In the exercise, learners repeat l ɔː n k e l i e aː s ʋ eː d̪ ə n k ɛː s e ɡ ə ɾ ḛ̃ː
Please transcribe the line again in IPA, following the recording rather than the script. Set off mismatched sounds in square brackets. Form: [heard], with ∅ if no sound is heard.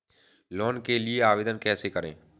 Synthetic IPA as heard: l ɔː n k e l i e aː [∅] ʋ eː d̪ ə n k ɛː s e [k] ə ɾ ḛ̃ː